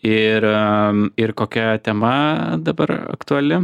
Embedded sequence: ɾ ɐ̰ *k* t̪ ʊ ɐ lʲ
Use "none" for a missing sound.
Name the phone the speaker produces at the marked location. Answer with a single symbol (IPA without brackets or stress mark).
k